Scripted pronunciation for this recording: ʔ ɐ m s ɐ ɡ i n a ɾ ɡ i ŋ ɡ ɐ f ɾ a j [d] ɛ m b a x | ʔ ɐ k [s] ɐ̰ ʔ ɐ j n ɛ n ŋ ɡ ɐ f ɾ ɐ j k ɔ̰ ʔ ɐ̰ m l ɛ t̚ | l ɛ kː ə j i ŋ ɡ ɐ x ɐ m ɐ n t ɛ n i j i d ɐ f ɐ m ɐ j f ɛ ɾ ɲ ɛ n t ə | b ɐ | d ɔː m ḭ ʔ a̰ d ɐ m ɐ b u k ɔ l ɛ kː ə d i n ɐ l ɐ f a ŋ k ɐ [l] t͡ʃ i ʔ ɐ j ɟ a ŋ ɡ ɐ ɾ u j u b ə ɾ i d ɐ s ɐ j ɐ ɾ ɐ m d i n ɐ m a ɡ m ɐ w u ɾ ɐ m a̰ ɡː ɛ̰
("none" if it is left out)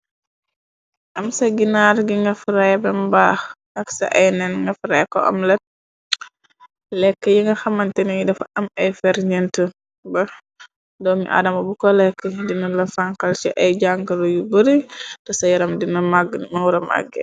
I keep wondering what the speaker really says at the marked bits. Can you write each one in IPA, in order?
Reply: b, s, l

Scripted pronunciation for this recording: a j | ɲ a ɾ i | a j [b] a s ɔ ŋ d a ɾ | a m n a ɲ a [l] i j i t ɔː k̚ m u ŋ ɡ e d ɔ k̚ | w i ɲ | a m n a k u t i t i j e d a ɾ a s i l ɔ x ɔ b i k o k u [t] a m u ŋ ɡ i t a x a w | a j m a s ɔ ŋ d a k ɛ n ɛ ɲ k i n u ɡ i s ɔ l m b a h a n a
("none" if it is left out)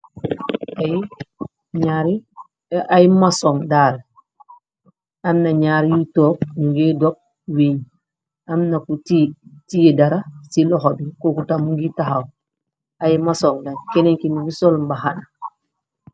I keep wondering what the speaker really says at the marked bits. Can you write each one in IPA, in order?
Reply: m, ɾ, t

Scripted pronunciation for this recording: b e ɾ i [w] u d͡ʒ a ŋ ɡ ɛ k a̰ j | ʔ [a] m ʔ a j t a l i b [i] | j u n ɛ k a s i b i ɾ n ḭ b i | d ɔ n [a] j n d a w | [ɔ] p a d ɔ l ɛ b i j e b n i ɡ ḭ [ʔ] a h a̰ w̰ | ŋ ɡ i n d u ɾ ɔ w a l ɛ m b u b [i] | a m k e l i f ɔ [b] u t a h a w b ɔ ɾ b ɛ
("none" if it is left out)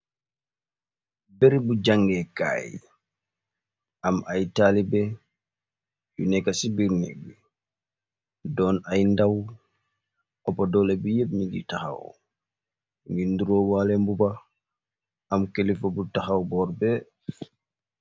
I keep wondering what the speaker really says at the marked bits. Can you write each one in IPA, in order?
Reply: b, a, ɛ, a, ɔ, t, a, b

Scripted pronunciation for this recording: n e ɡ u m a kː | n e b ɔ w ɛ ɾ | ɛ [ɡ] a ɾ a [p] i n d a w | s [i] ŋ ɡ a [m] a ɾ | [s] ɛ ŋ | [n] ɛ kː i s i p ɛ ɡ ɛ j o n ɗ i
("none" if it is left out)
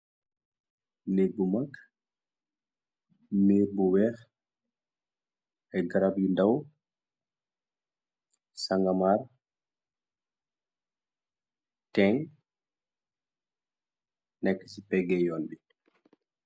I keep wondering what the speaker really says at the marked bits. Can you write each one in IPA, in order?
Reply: ɡ, b, a, m, t, n

